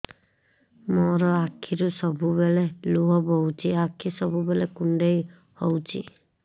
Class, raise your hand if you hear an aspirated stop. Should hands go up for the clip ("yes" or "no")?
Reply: yes